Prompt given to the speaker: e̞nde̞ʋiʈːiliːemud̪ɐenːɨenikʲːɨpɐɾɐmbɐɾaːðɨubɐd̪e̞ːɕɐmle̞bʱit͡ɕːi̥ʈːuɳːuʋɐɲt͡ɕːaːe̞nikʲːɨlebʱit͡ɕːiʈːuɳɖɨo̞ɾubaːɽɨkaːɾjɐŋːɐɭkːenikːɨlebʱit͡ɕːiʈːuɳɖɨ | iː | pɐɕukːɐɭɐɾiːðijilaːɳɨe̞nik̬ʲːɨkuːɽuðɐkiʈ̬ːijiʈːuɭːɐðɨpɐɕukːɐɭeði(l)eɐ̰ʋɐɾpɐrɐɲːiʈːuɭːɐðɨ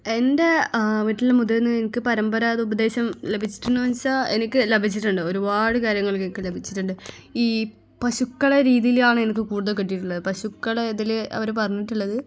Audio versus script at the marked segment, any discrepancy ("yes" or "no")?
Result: no